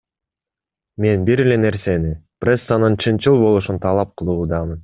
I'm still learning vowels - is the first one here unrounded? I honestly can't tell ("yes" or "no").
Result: yes